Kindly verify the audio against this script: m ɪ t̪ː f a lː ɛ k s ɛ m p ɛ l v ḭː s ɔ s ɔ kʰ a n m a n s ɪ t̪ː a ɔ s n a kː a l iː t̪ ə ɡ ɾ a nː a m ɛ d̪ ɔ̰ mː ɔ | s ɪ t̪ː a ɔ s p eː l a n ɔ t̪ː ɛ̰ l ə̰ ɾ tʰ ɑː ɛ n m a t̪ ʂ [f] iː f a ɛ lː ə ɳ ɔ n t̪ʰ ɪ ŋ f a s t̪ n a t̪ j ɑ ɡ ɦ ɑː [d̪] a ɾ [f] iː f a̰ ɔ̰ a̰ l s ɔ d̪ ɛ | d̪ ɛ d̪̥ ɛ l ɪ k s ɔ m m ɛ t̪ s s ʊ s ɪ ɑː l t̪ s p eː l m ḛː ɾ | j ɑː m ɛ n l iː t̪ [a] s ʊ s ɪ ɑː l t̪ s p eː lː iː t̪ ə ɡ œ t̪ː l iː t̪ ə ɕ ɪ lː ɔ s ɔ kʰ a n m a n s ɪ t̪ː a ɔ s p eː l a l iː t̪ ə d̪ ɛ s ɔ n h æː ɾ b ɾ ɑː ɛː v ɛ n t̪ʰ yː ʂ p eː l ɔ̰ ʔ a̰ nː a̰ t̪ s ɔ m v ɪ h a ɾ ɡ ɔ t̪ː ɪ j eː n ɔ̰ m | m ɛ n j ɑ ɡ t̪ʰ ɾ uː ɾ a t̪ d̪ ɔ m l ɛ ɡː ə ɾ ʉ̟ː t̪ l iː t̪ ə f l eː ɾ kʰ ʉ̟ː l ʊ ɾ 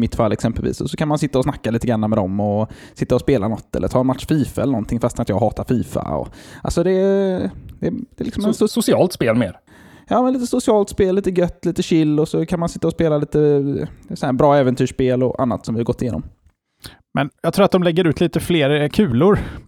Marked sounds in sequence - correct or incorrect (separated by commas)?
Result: correct, incorrect, correct, incorrect